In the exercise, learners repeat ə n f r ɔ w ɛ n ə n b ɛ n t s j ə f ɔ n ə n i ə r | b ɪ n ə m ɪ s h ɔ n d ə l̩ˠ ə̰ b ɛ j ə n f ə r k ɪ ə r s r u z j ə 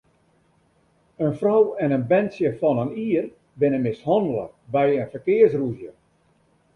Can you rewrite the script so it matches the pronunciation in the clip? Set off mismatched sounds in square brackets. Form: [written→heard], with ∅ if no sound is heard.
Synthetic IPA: ə n f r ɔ w ɛ n ə n b ɛ n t s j ə f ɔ n ə n i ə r | b ɪ n ə m ɪ s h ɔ n d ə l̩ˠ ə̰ b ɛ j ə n f ə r k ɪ ə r s r u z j ə